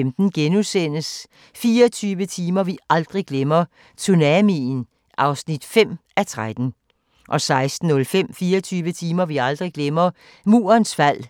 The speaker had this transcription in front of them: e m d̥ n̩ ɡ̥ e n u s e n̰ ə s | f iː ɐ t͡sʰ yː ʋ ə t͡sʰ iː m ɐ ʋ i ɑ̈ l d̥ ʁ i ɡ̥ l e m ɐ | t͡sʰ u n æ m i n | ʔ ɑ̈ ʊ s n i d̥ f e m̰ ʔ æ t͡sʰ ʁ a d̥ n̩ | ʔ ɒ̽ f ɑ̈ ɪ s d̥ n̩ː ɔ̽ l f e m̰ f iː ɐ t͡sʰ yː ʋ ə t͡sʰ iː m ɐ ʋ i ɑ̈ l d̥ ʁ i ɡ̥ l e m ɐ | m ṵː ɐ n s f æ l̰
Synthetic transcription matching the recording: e m d̥ n̩ ɡ̥ e n u s e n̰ ə s | f iː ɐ t͡sʰ yː ʋ ə t͡sʰ iː m ɐ ʋ i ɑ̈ l d̥ ʁ i ɡ̥ l e m ɐ | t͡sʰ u n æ m i n | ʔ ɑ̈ ʊ s n i d̥ f e m̰ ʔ æ t͡sʰ ʁ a d̥ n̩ | ʔ ɒ̽ s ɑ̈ ɪ s d̥ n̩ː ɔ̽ l f e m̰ f iː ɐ t͡sʰ yː ʋ ə t͡sʰ iː m ɐ ʋ i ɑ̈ l d̥ ʁ i ɡ̥ l e m ɐ | m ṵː ɐ n s f æ l̰